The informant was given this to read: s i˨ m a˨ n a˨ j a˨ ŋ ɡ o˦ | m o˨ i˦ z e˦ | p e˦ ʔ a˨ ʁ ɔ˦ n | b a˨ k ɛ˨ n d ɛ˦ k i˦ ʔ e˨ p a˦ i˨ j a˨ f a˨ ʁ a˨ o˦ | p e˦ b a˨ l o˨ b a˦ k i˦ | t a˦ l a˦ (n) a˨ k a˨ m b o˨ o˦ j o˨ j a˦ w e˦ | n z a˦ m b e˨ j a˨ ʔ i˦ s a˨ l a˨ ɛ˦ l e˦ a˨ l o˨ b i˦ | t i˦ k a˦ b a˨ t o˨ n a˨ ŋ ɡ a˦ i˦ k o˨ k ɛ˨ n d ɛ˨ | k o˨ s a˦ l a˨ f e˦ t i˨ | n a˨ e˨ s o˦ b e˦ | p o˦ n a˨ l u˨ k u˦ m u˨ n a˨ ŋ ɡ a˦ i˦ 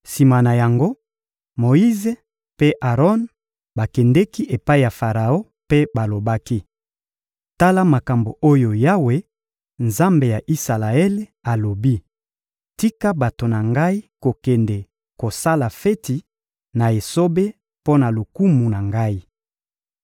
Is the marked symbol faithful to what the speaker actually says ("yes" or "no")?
no